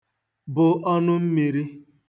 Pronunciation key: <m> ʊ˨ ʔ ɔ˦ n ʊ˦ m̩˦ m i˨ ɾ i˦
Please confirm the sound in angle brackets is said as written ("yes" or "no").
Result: no